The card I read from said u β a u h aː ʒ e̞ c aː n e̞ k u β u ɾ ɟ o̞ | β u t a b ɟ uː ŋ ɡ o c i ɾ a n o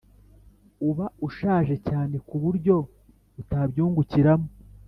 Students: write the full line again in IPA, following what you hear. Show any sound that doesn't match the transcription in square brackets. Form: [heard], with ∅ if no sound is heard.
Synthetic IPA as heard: u β a u [ʃ] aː ʒ e̞ c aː n e̞ k u β u ɾ ɟ o̞ | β u t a b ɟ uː ŋ ɡ [u] c i ɾ a [m] o